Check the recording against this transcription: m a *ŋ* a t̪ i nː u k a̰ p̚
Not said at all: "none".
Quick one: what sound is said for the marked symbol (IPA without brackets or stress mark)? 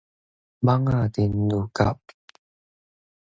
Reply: ŋ